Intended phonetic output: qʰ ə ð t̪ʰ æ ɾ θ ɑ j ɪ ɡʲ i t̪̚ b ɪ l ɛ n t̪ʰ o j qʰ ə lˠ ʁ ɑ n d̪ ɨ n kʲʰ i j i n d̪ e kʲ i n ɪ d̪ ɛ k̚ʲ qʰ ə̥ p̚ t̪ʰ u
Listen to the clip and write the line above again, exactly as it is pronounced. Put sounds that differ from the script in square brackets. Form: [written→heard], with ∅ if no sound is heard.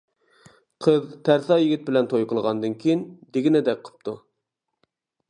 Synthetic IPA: qʰ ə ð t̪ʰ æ ɾ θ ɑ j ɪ ɡʲ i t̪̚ b ɪ l ɛ n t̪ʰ o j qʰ ə lˠ ʁ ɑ n d̪ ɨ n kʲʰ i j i n d̪ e [kʲ→ɡʲ] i n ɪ d̪ ɛ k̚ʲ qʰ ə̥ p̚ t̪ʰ u